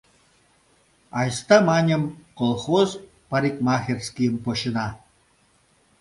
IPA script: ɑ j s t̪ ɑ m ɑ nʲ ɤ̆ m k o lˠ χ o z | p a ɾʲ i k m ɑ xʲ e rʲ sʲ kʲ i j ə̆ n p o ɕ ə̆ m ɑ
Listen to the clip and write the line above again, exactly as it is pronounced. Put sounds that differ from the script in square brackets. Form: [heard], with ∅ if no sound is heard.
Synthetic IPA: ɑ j s t̪ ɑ m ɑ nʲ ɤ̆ m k o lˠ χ o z | p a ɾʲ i k m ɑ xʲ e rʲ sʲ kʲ i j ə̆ [m] p o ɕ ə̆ [n] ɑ

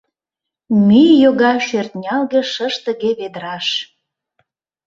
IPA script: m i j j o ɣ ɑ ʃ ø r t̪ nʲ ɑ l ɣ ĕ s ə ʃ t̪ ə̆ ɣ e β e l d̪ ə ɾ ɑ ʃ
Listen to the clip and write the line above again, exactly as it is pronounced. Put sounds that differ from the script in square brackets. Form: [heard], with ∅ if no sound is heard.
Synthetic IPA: m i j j o ɣ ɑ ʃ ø r t̪ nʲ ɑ l ɣ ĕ [ʃ] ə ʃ t̪ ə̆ ɣ e β e [∅] d̪ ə ɾ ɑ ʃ

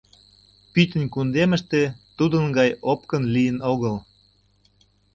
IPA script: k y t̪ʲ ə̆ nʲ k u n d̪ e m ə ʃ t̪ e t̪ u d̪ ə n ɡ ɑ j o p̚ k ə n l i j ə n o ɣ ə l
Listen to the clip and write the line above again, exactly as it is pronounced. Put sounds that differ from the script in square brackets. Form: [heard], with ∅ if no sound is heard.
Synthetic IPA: [p] y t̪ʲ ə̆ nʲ k u n d̪ e m ə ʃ t̪ e t̪ u d̪ ə n ɡ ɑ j o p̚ k ə n l i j ə n o ɣ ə l

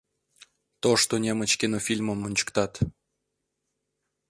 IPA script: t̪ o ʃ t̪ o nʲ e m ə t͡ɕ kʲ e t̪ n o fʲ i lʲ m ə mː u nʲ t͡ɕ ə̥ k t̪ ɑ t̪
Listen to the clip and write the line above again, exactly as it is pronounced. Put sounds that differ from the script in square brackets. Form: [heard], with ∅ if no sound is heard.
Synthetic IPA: t̪ o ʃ t̪ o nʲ e m ə t͡ɕ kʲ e [∅] n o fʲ i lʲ m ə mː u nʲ t͡ɕ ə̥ k t̪ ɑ t̪

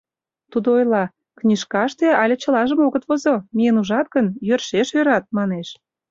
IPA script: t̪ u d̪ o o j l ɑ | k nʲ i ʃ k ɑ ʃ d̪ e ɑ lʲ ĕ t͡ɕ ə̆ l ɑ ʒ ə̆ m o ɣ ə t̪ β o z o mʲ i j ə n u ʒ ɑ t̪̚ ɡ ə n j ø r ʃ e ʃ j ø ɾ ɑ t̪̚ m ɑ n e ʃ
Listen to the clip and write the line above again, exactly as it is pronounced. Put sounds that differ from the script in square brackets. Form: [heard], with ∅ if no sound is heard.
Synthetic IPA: t̪ u d̪ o o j l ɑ | k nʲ i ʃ k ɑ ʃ [t̪] e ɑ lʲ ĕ t͡ɕ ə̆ l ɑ ʒ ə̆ m o ɣ ə t̪ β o z o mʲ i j ə n u ʒ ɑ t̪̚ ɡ ə n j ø r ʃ e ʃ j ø ɾ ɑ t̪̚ m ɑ n e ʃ

